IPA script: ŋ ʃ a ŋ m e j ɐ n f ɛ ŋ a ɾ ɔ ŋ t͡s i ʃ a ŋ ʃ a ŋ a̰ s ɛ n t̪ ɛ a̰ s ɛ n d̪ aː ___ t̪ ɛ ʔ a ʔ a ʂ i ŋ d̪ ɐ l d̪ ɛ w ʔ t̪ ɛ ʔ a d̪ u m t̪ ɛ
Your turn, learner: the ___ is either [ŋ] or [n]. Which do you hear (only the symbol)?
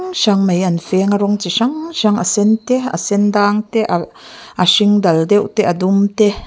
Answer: ŋ